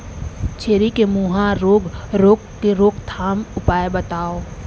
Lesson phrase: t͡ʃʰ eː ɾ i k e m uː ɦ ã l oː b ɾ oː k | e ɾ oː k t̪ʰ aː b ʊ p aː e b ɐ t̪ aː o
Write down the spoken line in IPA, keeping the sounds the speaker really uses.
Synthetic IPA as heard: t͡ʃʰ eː ɾ i k e m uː ɦ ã ɾ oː ɡ ɾ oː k | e ɾ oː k t̪ʰ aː m ʊ p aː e b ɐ t̪ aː o